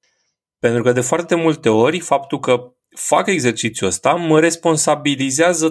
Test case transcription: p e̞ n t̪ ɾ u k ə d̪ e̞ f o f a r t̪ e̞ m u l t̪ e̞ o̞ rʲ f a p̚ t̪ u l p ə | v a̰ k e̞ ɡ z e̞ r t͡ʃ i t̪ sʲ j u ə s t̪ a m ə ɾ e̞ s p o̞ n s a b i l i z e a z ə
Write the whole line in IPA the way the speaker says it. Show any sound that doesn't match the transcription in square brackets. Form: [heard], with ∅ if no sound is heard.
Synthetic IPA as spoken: p e̞ n t̪ ɾ u k ə d̪ e̞ f o [∅] a r t̪ e̞ m u l t̪ e̞ o̞ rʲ f a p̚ t̪ u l [k] ə | [f] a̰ k e̞ ɡ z e̞ r t͡ʃ i t̪ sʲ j u ə s t̪ a m ə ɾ e̞ s p o̞ n s a b i l i z e a z ə